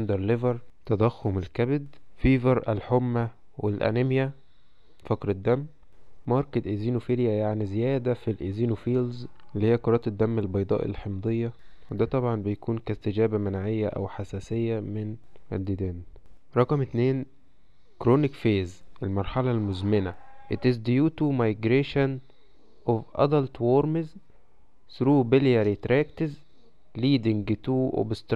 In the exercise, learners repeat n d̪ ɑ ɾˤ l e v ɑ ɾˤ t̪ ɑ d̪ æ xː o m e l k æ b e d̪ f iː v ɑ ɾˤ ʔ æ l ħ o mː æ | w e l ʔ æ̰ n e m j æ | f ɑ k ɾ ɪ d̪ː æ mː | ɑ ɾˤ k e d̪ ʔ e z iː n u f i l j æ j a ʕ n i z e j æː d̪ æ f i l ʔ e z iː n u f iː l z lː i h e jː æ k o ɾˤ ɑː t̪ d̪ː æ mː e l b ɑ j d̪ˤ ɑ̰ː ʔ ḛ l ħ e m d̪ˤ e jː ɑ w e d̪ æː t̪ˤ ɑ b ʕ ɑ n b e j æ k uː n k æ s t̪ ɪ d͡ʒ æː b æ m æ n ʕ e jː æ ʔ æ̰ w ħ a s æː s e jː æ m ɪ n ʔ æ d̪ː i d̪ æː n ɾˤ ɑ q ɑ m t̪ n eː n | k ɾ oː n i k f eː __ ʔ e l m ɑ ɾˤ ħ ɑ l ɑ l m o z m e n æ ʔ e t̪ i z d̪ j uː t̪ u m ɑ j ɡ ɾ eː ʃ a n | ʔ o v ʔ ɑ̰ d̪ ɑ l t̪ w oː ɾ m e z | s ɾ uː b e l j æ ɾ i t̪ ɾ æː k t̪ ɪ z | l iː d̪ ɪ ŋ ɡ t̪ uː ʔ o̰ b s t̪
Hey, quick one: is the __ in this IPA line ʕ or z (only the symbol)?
z